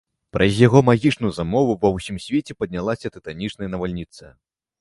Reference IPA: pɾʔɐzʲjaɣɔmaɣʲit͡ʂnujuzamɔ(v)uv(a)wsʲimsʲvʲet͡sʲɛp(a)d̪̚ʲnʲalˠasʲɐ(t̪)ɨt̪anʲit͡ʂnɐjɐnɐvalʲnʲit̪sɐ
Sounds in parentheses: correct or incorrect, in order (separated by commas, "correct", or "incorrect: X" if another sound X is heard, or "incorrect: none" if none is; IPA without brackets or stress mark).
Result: correct, incorrect: ɐ, incorrect: ɐ, correct